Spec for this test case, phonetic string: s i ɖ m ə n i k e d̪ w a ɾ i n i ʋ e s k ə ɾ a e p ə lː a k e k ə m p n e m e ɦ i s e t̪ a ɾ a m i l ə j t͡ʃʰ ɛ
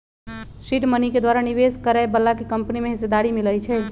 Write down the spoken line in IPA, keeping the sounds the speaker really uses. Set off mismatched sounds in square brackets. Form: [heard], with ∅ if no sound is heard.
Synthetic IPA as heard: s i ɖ m ə n i k e d̪ w a ɾ [a] n i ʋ e s k ə ɾ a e [b] ə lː a k e k ə m p n [i] m e ɦ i s e [d̪] a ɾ [i] m i l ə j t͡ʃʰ ɛ